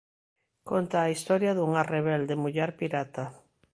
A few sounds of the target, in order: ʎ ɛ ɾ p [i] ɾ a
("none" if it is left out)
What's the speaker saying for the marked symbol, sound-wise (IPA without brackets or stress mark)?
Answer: i